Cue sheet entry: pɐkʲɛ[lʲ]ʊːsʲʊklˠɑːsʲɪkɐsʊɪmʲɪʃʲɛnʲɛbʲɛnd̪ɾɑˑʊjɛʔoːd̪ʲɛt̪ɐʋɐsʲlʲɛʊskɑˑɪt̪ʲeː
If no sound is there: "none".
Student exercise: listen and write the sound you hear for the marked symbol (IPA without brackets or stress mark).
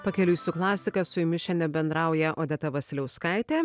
lʲ